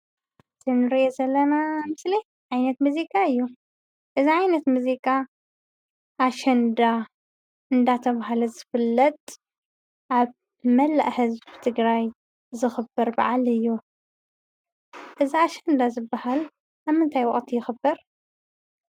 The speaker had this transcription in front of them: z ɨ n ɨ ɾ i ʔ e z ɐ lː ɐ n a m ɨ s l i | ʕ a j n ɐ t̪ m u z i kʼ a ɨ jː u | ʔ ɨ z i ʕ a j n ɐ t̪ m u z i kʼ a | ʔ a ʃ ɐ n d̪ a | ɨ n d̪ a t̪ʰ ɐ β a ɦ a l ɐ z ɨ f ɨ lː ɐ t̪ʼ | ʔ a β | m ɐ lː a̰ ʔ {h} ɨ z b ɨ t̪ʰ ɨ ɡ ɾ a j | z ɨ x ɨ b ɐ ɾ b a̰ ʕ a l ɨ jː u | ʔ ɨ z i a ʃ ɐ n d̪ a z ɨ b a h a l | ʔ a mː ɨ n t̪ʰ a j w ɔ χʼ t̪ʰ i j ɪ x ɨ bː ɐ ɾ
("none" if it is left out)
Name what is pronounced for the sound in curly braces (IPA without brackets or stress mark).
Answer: h